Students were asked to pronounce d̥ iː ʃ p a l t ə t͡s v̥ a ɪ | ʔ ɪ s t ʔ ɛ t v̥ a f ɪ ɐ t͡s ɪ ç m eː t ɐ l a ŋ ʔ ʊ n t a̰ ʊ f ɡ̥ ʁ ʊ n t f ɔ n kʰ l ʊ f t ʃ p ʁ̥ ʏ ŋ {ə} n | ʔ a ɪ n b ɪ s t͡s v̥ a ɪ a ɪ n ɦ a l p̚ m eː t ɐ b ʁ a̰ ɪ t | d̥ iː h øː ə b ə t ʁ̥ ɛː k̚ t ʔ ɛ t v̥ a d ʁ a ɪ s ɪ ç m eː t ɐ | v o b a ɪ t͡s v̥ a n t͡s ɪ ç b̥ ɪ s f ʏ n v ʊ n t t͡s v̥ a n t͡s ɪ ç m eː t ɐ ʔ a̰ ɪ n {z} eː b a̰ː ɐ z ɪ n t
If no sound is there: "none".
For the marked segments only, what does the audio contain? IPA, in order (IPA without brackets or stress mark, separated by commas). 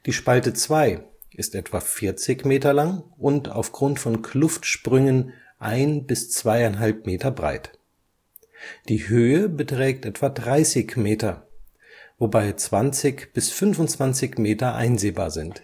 ə, z